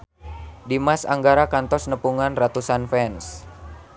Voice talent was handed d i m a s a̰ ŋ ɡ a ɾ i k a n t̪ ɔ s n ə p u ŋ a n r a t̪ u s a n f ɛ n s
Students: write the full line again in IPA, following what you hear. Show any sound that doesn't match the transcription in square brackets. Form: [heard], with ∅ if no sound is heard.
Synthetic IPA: d i m a s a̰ ŋ ɡ a ɾ [a] k a n t̪ ɔ s n ə p u ŋ a n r a t̪ u s a n f ɛ n s